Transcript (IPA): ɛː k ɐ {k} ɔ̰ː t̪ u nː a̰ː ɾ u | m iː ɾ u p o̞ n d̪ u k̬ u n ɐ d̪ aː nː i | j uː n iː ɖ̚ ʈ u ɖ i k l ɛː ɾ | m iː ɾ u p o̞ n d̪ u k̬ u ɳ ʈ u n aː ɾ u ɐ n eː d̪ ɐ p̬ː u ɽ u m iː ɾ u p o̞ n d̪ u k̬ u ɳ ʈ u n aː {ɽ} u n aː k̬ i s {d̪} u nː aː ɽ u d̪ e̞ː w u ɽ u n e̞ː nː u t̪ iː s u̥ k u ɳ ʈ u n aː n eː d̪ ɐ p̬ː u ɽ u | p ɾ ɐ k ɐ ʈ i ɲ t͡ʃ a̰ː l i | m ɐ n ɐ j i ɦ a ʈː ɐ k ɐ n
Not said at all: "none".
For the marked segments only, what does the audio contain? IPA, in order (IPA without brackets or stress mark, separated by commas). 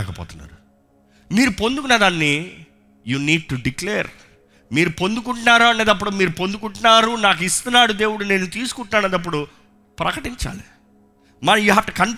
p, ɾ, t̪